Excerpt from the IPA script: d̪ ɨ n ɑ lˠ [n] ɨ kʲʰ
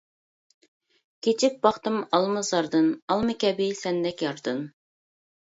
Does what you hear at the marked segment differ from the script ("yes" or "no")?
yes